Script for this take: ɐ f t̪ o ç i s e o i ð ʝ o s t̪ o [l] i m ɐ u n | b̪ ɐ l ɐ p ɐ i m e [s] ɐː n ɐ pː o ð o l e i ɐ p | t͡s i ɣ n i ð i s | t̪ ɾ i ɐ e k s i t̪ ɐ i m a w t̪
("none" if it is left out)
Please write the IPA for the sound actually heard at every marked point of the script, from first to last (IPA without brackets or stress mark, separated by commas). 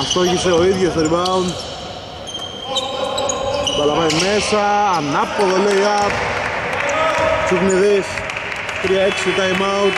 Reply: ɾ, s